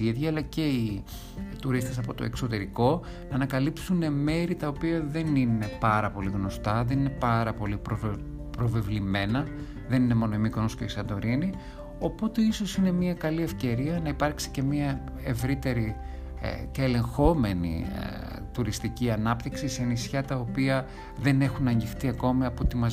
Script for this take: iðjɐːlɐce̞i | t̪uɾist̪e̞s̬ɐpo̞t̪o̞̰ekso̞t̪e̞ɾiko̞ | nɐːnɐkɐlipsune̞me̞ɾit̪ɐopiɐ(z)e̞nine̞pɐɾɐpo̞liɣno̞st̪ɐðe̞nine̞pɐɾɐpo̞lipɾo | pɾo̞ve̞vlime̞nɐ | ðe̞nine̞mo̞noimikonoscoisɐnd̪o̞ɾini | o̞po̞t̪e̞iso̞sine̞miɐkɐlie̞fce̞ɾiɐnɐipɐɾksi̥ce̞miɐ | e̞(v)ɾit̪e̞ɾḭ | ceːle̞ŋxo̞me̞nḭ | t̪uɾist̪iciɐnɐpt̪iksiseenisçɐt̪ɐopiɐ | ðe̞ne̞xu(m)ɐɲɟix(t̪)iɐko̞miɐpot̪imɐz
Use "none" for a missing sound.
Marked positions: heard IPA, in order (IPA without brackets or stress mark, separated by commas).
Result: ð, v, n, t̪